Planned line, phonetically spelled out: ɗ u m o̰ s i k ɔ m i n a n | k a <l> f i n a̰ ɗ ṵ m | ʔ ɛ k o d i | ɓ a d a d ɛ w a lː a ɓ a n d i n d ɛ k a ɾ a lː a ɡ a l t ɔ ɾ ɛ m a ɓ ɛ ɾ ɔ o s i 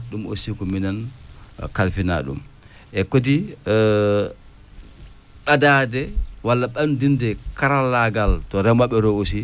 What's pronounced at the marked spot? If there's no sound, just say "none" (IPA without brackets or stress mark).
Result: l